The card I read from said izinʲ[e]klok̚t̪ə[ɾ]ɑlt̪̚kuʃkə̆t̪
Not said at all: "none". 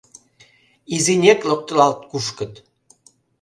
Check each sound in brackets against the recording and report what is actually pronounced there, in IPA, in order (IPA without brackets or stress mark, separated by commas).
e, l